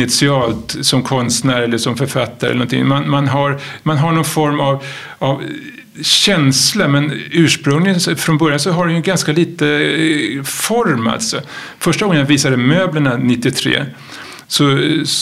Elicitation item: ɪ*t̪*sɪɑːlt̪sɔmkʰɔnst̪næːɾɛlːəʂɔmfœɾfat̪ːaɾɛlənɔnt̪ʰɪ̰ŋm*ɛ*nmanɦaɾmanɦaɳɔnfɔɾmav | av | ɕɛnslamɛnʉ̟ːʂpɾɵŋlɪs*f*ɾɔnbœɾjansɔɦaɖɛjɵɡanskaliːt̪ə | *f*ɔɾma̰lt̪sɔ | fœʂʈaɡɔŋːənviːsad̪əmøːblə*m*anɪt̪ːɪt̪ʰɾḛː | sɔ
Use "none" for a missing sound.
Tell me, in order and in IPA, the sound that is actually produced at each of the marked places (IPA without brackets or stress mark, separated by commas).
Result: t̪, a, f, f, ɳ